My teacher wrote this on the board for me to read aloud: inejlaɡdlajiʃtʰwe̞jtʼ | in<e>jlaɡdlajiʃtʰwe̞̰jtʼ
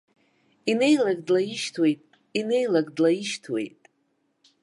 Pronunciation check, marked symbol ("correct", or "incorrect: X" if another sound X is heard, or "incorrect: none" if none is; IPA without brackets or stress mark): correct